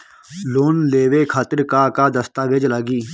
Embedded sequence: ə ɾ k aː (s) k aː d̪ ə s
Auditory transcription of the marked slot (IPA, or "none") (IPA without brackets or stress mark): none